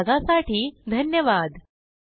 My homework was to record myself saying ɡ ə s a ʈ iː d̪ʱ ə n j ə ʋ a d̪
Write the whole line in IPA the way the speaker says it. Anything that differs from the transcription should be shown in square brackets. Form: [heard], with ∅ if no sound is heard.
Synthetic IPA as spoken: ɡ [a] s a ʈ iː d̪ʱ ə n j ə ʋ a d̪